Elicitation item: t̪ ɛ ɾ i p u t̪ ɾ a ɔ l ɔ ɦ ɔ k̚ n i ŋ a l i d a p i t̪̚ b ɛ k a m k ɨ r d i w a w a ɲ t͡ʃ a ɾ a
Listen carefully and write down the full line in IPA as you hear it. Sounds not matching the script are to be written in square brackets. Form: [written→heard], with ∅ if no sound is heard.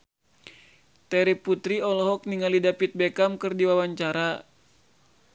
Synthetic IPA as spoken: t̪ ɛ ɾ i p u t̪ ɾ [a→i] ɔ l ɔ ɦ ɔ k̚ n i ŋ a l i d a p i t̪̚ b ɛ k a m k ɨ r d i w a w a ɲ t͡ʃ a ɾ a